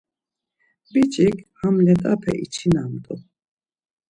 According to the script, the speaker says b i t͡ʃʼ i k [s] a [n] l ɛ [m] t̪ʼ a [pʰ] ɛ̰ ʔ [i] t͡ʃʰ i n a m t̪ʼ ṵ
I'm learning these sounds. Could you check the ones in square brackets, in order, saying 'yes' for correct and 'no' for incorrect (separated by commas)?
no, no, no, yes, yes